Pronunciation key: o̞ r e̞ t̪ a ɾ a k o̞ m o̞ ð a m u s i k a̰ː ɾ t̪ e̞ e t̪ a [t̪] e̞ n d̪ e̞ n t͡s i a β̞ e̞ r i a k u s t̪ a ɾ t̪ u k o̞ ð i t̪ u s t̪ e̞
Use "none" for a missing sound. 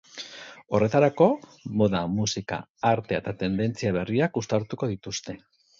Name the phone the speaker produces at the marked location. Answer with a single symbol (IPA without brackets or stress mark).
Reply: t̪